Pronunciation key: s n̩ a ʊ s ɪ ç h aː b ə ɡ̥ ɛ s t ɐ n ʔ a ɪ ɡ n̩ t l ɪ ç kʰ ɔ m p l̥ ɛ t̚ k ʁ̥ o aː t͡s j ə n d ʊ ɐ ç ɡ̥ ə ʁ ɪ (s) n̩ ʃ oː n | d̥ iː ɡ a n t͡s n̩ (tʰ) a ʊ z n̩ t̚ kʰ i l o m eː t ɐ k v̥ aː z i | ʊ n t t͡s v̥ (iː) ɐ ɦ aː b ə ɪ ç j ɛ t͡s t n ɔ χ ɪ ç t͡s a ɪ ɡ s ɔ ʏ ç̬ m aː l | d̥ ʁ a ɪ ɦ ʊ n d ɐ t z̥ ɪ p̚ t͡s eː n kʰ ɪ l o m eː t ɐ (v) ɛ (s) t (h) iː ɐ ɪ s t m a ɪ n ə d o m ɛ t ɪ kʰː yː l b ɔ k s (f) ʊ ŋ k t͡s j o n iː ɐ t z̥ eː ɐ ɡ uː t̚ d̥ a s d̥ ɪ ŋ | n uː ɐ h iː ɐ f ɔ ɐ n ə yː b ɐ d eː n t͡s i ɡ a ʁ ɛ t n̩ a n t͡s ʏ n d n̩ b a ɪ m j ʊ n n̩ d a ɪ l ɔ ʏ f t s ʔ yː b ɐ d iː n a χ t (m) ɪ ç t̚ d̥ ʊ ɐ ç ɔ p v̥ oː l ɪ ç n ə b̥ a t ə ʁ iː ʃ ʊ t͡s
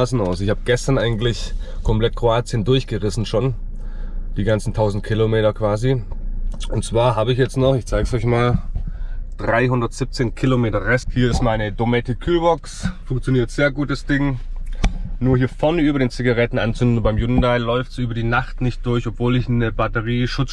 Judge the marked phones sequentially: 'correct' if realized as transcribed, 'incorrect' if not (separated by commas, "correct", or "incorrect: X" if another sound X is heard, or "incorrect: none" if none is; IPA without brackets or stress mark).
correct, correct, incorrect: aː, incorrect: ʁ, correct, correct, correct, incorrect: n